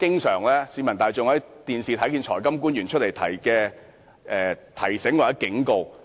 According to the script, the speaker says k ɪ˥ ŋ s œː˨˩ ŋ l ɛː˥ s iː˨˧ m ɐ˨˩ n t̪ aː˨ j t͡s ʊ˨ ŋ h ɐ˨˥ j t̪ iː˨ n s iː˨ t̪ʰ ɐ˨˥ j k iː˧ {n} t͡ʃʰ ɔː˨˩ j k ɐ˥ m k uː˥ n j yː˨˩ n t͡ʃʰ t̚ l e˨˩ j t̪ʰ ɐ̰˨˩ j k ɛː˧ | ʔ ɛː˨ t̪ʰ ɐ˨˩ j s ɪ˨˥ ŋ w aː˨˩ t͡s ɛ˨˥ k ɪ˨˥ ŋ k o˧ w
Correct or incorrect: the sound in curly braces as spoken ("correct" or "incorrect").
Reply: correct